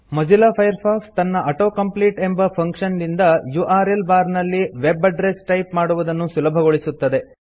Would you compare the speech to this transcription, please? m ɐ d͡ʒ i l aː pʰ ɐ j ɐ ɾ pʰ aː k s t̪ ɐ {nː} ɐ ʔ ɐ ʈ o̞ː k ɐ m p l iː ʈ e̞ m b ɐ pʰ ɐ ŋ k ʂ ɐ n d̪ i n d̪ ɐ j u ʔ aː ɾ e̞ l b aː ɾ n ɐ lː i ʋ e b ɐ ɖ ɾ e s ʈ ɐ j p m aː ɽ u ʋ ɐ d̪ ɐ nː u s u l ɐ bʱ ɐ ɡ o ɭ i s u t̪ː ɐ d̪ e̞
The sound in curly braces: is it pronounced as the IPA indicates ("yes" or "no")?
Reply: yes